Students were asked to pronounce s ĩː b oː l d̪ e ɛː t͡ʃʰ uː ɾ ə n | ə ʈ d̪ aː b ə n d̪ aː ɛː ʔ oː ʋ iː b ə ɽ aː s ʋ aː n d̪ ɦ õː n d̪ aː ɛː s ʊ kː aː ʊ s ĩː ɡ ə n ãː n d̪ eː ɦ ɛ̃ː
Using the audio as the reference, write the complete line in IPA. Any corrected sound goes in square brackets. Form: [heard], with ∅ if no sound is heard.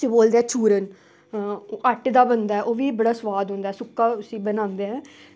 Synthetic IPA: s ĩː b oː l d̪ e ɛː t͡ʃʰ uː ɾ ə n | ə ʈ d̪ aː b ə n d̪ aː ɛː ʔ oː ʋ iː b ə ɽ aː s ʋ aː [∅] d̪ ɦ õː n d̪ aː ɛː s ʊ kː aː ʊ s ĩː [b] ə n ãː n d̪ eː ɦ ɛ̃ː

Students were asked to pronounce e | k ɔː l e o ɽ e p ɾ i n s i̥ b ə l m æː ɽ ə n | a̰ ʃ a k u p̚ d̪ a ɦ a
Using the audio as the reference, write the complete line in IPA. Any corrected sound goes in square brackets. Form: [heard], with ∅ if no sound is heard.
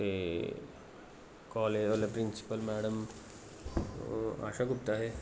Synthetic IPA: e | k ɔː l e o [l] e p ɾ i n s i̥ [p] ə l m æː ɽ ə [m] | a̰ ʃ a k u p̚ [t̪] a ɦ [e]

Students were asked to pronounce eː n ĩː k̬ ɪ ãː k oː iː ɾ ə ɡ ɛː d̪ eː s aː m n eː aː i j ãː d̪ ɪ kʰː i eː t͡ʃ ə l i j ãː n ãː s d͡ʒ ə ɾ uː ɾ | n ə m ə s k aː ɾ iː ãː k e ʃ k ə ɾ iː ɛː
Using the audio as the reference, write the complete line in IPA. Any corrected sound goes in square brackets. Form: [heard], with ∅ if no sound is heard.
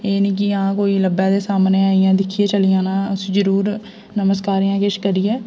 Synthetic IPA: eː n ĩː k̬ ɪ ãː k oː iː [l] ə [b] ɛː d̪ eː s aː m n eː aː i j ãː d̪ ɪ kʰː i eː t͡ʃ ə l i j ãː n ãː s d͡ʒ ə ɾ uː ɾ | n ə m ə s k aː ɾ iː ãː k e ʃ k ə ɾ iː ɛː

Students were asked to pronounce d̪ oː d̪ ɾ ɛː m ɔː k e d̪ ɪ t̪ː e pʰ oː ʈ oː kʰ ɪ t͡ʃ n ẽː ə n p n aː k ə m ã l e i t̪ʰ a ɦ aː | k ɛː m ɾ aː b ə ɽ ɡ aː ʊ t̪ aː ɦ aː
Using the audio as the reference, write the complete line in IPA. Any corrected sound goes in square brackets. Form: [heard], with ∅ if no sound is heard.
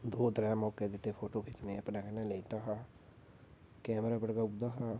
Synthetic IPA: d̪ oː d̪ ɾ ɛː m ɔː k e d̪ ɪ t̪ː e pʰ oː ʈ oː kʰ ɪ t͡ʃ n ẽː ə [∅] p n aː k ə [n] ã l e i [t̪] a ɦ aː | k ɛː m ɾ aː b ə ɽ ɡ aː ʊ [d̪] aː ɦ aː

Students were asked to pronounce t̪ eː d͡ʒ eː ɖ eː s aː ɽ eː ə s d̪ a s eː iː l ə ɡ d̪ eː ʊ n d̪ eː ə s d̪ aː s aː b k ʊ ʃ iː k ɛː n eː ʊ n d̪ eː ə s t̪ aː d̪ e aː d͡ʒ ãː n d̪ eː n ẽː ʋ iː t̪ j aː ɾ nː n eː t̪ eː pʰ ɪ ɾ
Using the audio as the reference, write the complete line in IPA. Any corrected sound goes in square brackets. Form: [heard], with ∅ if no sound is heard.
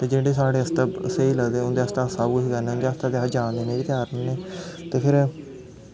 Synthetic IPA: t̪ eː d͡ʒ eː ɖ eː s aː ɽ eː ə s [t̪] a s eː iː l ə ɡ d̪ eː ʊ n d̪ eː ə s [t̪] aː s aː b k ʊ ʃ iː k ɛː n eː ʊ n d̪ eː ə s t̪ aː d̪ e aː d͡ʒ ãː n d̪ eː n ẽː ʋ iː t̪ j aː ɾ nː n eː t̪ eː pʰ ɪ ɾ

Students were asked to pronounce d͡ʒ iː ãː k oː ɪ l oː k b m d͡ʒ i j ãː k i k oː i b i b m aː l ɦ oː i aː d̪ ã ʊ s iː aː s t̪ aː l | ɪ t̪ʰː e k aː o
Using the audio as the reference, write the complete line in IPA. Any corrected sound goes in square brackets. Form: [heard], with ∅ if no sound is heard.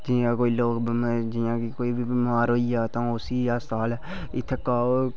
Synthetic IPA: d͡ʒ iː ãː k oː [i] l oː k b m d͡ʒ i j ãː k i k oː i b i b m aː [ɾ] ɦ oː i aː [t̪] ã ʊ s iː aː s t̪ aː l | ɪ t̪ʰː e k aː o

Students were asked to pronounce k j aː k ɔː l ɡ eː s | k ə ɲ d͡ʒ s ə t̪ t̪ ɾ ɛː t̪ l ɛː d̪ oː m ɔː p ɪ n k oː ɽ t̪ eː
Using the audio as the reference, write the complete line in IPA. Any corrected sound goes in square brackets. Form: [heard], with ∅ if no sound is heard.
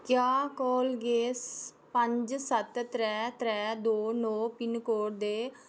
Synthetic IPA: k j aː k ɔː l ɡ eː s | [p] ə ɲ d͡ʒ s ə t̪ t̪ ɾ ɛː t̪ [ɾ] ɛː d̪ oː [n] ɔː p ɪ n k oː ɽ [d̪] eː

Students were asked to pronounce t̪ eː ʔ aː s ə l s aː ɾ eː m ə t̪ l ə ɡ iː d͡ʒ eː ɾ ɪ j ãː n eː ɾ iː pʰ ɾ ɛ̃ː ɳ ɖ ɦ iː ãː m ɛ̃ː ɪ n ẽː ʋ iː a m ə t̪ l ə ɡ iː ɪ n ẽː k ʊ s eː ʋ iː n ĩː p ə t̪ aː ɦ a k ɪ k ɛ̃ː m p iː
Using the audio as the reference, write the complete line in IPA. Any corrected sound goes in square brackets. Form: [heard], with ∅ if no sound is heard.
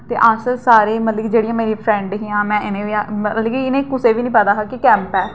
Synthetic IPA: t̪ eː ʔ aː s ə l s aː ɾ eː m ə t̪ l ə ɡ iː d͡ʒ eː [ɽ] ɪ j ãː [m] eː ɾ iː pʰ ɾ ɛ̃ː ɳ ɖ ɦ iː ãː m ɛ̃ː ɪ n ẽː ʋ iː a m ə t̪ l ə ɡ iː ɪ n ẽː k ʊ s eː ʋ iː n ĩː p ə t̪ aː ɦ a k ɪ k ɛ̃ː m p [ɛː]

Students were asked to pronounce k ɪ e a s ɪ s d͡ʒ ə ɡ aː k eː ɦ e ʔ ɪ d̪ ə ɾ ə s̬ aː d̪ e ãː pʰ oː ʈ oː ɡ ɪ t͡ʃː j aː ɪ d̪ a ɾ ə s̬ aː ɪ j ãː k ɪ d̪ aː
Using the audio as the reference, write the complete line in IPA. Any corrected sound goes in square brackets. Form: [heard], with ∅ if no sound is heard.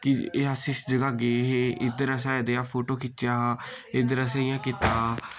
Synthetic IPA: k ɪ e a s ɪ s d͡ʒ ə ɡ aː [ɡ] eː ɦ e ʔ ɪ d̪ ə ɾ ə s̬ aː d̪ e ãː pʰ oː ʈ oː [k] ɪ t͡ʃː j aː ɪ d̪ [ə] ɾ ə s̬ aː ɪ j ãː k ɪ [t̪] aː

